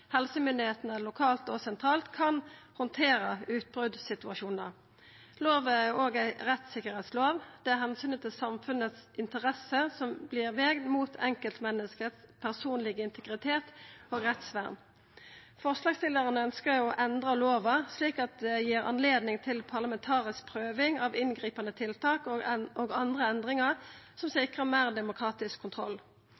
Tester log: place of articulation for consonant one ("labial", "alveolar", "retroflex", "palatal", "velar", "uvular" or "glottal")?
glottal